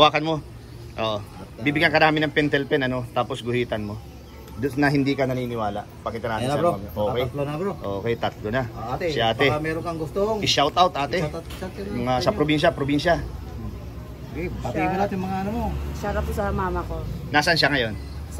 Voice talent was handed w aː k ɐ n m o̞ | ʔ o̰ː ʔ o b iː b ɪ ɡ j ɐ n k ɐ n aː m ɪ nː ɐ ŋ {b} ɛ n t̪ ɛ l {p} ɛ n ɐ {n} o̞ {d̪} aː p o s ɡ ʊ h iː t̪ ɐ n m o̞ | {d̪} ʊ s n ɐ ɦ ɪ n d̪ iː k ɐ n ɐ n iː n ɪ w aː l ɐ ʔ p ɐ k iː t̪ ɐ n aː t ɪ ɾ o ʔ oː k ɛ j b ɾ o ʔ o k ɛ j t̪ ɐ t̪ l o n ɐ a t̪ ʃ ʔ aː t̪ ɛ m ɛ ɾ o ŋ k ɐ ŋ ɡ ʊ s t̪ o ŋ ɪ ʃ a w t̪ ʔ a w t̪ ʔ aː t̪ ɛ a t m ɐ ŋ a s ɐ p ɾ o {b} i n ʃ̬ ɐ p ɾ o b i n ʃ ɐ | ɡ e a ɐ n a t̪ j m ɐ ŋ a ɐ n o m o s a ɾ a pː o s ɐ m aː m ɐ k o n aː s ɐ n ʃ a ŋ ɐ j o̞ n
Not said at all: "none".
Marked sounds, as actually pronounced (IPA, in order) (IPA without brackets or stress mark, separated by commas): p, p, n, t̪, d̪, b